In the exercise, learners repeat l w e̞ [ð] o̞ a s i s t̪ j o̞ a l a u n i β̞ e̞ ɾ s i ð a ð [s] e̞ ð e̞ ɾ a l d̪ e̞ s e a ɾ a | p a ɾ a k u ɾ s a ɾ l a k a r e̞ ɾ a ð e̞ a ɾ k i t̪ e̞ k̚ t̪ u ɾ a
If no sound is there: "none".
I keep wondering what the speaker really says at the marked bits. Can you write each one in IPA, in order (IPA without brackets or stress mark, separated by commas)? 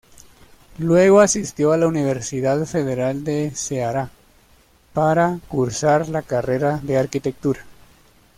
ɣ, f